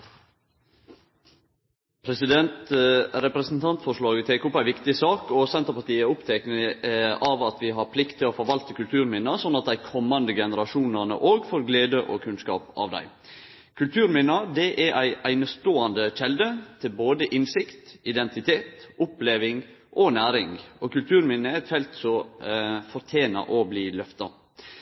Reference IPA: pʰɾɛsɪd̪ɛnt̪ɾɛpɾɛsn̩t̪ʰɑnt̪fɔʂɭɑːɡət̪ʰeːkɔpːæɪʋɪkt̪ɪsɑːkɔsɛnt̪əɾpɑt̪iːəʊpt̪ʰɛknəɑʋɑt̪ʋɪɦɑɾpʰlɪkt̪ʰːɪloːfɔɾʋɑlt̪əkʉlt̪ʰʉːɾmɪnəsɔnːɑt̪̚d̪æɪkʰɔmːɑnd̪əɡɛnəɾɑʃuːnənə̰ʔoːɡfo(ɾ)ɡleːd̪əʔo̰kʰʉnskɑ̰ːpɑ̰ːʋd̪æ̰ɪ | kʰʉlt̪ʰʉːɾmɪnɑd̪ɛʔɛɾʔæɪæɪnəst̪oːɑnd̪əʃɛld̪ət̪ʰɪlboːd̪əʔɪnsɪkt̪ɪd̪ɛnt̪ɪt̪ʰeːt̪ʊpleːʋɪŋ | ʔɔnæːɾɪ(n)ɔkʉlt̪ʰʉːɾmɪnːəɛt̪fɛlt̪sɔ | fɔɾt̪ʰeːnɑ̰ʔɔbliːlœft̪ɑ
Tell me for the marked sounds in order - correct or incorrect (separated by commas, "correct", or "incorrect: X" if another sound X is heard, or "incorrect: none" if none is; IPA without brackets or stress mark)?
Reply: correct, incorrect: ŋ